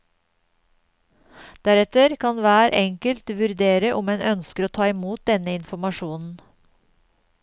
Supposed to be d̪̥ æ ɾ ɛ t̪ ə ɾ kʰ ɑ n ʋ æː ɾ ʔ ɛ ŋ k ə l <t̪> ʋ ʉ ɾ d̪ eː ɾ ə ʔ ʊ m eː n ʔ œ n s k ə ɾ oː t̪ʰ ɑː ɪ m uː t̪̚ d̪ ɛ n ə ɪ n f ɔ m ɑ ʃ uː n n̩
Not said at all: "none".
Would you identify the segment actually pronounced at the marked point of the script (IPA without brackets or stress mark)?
t̪